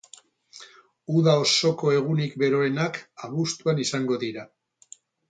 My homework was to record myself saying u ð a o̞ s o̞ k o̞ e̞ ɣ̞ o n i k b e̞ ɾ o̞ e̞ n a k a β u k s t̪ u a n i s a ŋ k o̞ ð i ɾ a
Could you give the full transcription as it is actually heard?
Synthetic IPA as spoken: u ð a o̞ s o̞ k o̞ e̞ ɣ̞ u n i k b e̞ ɾ o̞ e̞ n a k a β u s t̪ u a n i s a ŋ ɡ o̞ ð i ɾ a